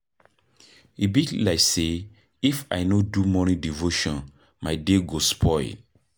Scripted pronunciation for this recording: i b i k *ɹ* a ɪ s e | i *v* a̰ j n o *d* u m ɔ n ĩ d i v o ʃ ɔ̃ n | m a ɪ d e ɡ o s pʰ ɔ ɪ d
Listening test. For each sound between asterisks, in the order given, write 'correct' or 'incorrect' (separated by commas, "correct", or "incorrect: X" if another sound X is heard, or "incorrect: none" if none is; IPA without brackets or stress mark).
incorrect: l, incorrect: f, correct